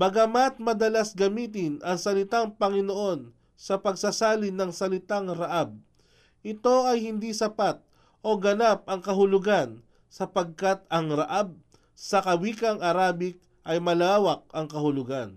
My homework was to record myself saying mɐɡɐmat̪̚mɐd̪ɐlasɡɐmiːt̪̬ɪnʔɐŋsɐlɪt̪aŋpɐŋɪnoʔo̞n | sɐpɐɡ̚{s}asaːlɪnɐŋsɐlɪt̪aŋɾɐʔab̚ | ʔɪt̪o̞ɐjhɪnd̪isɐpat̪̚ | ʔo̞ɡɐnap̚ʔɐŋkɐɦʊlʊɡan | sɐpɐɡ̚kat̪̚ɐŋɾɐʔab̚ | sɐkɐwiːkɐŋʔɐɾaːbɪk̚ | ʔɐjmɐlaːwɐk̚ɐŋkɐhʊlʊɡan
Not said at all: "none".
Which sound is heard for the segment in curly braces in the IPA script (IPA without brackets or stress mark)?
s